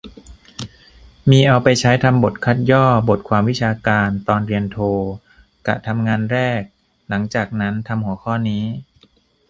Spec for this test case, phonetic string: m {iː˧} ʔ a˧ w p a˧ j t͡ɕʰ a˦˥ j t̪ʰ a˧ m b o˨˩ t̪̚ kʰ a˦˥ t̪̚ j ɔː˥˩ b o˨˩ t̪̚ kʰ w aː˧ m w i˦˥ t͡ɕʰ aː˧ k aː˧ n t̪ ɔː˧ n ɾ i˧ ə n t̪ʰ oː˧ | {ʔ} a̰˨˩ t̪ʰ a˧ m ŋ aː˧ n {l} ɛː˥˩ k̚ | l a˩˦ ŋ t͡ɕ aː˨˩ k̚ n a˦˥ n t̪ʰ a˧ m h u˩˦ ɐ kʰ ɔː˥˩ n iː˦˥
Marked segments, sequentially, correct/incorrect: correct, incorrect, incorrect

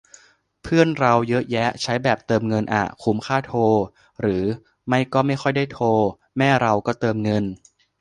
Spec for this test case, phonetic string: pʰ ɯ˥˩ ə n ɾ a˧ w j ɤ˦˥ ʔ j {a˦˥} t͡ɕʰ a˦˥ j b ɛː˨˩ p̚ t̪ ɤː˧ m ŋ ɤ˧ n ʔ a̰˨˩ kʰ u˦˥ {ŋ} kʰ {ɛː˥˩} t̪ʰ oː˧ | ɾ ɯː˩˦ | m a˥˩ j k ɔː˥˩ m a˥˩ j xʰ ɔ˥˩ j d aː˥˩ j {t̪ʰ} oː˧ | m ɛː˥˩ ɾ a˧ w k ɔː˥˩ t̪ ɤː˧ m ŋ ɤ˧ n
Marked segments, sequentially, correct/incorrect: incorrect, incorrect, incorrect, correct

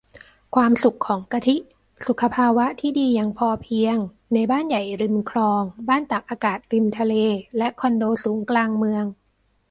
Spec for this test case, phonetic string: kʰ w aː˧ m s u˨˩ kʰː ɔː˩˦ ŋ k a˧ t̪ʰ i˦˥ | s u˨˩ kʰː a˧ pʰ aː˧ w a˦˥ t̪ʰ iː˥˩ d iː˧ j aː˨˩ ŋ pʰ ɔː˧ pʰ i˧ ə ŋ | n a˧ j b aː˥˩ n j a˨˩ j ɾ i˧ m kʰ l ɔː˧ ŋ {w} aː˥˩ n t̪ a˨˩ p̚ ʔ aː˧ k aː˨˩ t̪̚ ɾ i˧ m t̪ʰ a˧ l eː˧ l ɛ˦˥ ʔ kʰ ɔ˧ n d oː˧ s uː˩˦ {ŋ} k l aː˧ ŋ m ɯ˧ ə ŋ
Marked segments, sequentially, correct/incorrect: incorrect, correct

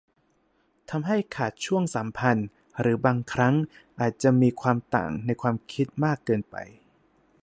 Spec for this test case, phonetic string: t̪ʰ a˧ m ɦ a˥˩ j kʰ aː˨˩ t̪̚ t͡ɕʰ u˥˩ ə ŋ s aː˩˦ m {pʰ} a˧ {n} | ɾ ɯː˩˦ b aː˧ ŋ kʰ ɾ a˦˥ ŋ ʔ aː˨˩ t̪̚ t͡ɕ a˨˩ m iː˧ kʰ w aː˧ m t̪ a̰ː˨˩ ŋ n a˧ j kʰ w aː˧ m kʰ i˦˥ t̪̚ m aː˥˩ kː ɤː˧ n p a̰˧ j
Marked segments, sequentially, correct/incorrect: correct, correct

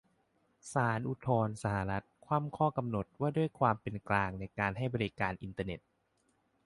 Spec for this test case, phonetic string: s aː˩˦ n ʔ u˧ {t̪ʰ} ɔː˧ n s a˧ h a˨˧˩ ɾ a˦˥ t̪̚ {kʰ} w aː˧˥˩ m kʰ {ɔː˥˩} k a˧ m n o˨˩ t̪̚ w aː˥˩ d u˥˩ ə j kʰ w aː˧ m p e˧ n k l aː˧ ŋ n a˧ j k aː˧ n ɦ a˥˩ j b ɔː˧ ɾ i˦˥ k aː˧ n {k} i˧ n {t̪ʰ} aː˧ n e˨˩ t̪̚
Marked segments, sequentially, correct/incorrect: correct, correct, correct, incorrect, incorrect

